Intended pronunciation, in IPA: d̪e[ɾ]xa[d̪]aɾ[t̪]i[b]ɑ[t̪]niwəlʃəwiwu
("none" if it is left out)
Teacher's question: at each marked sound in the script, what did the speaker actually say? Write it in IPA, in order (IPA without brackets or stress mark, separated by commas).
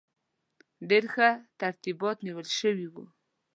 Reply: ɾ, t̪, t̪, b, t̪